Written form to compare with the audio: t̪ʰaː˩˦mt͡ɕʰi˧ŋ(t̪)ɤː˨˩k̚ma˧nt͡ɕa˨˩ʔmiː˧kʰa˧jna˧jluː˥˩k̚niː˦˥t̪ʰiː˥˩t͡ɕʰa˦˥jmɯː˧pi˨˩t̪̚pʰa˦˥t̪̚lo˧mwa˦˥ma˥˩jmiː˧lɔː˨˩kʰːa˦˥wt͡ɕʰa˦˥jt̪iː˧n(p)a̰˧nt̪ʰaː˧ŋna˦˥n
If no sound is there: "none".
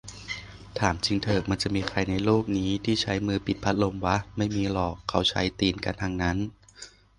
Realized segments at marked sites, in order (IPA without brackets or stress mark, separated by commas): t̪ʰ, k